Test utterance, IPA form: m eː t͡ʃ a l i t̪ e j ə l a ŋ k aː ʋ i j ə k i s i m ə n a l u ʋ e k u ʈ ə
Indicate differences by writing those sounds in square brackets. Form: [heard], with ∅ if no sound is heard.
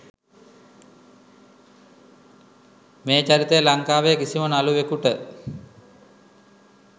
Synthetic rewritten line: m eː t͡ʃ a [ɾ] i t̪ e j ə l a ŋ k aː ʋ [e] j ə k i s i m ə n a l u ʋ e k u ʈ ə